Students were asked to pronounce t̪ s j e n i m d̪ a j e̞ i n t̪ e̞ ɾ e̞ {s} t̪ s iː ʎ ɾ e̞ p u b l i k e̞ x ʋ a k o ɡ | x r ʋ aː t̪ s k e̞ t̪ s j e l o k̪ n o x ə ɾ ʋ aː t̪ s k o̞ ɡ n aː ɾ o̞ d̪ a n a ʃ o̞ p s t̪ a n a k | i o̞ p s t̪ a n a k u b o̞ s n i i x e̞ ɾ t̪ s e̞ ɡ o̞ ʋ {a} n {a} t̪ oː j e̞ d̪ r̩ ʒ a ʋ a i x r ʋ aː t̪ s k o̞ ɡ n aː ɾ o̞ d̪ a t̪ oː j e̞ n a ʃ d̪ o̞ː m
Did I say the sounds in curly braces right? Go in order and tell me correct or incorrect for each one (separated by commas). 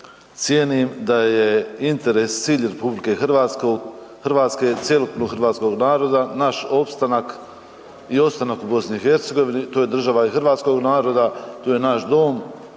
correct, incorrect, incorrect